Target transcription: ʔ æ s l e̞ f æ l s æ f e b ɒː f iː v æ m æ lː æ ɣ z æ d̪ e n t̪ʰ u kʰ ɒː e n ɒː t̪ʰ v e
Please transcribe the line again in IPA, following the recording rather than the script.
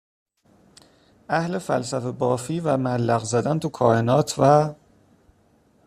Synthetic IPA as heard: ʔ æ h l e̞ f æ l s æ f e b ɒː f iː v æ m æ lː æ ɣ z æ d̪ æ n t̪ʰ u kʰ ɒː e n ɒː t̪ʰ v æ